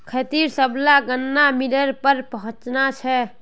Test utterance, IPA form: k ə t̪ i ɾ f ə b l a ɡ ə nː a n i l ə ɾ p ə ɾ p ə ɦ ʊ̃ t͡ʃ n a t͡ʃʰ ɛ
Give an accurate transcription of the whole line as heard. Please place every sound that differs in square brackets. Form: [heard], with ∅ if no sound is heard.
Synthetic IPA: [kʰ] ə t̪ i ɾ [s] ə b l a ɡ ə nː a [m] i l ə ɾ p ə ɾ p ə ɦ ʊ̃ t͡ʃ n a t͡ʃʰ ɛ